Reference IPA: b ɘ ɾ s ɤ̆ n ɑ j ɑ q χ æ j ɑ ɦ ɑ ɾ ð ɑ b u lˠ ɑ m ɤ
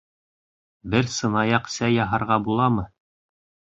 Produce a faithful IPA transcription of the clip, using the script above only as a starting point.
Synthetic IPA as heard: b ɘ ɾ s ɤ̆ n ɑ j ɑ q s æ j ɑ ɦ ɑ ɾ ʁ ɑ b u lˠ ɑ m ɤ